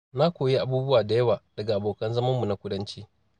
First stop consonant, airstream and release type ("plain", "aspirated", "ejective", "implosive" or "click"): plain